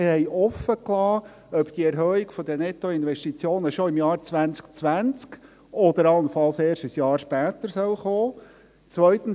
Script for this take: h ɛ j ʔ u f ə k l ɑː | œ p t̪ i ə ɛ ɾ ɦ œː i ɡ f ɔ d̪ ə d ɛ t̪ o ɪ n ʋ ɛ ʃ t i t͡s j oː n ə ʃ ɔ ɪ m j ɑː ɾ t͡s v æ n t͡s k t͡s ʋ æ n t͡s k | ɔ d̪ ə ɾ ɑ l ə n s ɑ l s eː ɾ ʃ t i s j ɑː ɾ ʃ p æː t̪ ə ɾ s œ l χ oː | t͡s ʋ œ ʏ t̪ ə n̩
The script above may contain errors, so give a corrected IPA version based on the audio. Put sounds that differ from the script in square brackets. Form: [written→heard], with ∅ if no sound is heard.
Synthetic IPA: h ɛ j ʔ [u→ɔ] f ə k l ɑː | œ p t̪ i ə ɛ ɾ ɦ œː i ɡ f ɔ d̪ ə [d→n] ɛ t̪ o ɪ n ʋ ɛ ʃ t i t͡s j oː n ə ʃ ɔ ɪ m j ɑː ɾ t͡s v æ n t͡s k t͡s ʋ æ n t͡s k | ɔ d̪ ə ɾ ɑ l ə n [s→f] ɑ l s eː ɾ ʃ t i s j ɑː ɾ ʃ p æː t̪ ə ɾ s œ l χ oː | t͡s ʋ œ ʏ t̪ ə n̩